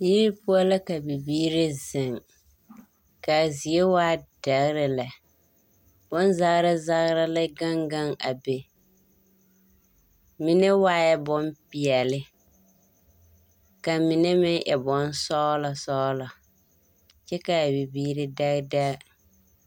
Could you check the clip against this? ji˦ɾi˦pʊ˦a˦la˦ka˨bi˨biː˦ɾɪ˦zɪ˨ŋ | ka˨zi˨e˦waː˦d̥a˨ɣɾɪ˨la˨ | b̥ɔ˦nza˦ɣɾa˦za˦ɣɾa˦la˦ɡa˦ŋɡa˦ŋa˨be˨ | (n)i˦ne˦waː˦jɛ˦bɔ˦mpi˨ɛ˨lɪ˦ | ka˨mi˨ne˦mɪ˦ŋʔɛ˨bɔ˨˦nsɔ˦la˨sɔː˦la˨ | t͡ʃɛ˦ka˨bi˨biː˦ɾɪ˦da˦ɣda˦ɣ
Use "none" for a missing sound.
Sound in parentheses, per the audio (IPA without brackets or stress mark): m